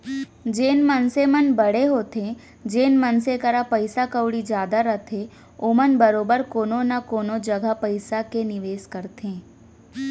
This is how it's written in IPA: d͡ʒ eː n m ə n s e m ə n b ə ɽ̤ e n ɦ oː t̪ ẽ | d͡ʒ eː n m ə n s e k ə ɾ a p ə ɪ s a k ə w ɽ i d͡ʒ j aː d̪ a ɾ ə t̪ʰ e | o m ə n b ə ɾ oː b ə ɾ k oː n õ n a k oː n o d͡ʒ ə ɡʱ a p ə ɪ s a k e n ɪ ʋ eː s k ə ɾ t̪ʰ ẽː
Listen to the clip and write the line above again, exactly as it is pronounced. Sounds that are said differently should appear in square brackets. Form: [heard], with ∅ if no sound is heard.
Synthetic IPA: d͡ʒ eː n m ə n s e m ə n b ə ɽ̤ e [∅] ɦ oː t̪ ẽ | d͡ʒ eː n m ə n s e k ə ɾ a p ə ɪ s a k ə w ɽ i d͡ʒ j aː d̪ a ɾ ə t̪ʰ e | o m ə n b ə ɾ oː b ə ɾ k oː n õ n a k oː n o d͡ʒ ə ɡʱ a p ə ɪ s a k e n ɪ ʋ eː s k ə ɾ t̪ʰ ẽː